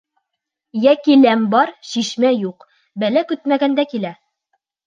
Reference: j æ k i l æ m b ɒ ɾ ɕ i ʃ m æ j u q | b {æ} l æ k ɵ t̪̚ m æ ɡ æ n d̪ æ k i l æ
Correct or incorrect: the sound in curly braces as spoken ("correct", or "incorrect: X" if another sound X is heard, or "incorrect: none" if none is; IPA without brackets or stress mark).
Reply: correct